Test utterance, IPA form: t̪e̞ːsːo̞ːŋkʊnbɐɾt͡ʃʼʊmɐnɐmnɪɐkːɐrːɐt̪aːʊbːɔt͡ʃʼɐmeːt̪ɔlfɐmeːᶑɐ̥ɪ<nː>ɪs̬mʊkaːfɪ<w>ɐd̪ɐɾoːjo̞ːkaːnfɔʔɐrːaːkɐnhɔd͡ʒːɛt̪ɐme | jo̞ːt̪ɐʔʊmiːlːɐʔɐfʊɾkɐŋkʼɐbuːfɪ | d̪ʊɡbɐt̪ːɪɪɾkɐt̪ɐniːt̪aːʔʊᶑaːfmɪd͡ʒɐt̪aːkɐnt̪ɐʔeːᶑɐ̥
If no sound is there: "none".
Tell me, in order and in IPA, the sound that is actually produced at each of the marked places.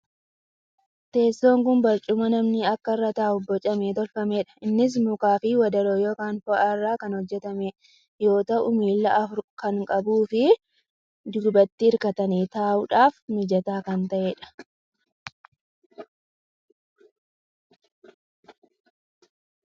nː, w

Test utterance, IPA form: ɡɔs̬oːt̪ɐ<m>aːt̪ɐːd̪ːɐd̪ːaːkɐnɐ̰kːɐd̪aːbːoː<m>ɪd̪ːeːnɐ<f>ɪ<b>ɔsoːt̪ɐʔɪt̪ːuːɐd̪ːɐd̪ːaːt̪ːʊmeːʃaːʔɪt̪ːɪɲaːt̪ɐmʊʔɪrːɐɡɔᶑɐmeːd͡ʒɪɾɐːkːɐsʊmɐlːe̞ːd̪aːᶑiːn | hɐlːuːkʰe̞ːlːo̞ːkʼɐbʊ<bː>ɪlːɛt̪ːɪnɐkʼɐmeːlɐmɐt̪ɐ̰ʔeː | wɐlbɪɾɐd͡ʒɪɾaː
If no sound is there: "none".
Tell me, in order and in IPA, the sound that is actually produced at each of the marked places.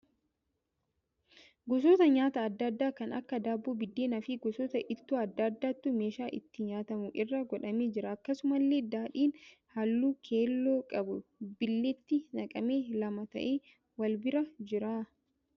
ɲ, b, f, ɡ, b

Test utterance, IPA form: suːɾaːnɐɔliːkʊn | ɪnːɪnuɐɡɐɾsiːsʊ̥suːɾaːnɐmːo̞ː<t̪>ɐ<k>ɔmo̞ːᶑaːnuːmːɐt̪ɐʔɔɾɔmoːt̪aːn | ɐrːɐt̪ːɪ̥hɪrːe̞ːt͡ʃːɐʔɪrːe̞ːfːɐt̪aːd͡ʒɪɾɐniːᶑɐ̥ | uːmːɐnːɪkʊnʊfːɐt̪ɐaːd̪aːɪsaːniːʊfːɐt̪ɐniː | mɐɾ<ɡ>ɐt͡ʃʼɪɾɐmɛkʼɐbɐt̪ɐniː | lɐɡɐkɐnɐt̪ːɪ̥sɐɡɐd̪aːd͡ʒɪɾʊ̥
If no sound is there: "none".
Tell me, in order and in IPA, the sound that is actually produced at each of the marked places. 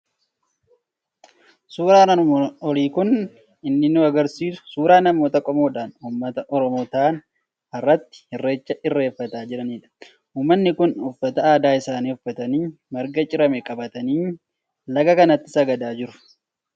t̪, kʼ, ɡ

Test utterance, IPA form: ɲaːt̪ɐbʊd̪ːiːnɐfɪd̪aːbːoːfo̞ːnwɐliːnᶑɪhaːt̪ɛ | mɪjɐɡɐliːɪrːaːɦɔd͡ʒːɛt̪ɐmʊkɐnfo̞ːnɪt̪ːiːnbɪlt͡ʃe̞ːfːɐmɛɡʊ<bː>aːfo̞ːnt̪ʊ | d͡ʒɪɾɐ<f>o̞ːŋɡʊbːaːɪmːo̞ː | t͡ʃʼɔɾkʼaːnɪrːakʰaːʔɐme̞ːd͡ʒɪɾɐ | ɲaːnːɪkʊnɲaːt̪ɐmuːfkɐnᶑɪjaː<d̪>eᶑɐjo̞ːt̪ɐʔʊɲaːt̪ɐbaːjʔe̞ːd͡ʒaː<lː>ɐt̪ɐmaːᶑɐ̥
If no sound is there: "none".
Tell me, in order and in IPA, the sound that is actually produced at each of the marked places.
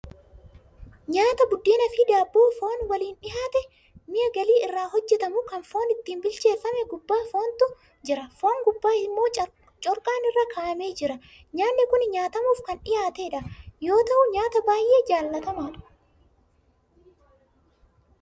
bː, f, t̪, lː

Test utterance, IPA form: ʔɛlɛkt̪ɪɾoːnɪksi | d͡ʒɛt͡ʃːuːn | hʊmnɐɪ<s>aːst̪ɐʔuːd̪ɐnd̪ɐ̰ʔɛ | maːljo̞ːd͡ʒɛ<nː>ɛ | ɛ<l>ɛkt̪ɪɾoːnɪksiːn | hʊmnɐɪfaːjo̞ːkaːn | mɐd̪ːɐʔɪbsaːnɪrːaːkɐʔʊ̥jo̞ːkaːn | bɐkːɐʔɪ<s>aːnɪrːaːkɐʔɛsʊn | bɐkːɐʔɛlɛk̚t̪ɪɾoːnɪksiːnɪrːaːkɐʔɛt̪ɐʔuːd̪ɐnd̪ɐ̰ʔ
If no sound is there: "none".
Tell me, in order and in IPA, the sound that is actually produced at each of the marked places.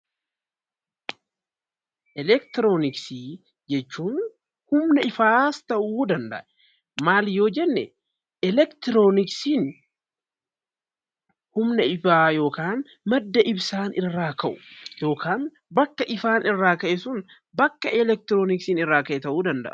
f, nː, l, f

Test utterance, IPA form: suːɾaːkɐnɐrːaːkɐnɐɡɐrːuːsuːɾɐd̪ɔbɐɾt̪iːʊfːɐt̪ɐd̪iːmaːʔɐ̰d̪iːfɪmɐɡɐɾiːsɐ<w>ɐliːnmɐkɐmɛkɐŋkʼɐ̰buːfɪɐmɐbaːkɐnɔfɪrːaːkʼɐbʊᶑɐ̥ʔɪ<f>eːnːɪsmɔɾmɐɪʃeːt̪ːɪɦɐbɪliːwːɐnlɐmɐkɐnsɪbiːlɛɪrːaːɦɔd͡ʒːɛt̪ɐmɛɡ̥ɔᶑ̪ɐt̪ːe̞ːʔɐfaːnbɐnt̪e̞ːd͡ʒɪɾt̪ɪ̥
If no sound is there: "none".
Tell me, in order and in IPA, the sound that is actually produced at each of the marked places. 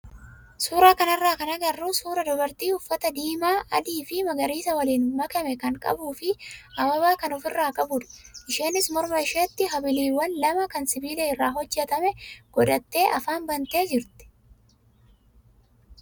w, ʃ

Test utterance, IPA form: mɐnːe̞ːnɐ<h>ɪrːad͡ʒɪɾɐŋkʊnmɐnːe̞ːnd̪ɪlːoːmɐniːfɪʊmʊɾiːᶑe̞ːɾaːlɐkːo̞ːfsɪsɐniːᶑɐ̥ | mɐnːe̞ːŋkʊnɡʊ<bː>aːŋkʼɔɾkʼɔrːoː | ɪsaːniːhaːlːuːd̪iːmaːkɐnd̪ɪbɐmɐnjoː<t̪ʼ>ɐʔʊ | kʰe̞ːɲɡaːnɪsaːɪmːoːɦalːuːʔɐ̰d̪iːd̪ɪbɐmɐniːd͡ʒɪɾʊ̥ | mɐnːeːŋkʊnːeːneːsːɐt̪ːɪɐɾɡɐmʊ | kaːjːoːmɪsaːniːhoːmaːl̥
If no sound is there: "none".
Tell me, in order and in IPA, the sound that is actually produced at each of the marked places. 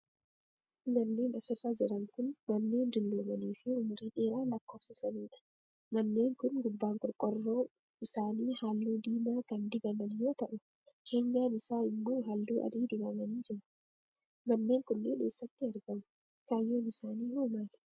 s, bː, t̪

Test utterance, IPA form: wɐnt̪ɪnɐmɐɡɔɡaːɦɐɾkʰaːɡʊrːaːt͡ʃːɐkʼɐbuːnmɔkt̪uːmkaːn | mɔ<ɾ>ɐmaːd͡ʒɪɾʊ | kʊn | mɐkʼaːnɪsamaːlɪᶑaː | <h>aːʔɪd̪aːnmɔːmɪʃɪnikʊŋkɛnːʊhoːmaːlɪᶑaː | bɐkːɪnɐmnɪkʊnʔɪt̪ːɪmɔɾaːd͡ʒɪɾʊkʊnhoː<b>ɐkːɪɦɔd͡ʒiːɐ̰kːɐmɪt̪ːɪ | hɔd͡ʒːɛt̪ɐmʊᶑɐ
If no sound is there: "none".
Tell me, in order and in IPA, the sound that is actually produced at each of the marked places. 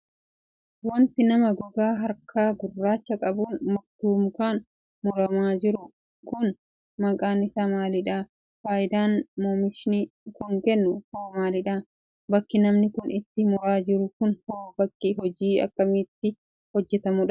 ɾ, f, b

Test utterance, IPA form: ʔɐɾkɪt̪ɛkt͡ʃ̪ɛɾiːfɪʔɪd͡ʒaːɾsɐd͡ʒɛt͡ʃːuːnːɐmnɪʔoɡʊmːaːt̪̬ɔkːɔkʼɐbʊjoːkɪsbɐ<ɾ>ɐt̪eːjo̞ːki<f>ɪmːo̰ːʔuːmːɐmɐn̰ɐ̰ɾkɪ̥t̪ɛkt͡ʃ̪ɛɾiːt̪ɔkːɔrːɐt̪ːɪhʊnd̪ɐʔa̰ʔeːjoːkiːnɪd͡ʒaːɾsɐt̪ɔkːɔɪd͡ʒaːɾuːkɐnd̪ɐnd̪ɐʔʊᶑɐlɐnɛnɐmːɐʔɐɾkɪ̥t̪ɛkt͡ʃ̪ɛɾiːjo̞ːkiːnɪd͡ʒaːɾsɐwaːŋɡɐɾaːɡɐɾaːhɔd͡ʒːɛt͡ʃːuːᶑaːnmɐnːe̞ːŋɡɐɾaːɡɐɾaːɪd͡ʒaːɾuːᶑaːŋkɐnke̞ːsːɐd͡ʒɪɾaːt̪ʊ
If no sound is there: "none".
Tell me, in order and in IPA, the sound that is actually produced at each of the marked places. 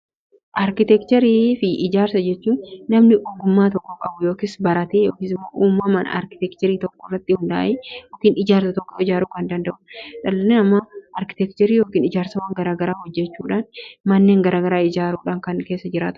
ɾ, s

